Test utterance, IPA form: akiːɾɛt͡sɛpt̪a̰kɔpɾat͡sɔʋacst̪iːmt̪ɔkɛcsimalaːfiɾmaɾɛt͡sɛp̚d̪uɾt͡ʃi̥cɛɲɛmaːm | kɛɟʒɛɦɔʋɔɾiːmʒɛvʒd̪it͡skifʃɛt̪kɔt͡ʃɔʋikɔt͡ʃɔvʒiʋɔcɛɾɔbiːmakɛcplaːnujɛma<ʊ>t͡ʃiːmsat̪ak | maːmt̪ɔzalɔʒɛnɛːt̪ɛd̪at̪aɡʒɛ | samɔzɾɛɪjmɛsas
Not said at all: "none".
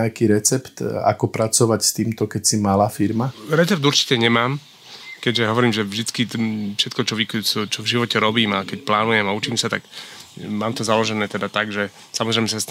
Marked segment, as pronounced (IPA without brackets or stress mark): u